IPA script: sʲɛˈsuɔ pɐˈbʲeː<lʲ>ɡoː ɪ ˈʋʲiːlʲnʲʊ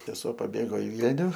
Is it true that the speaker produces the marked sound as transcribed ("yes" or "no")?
no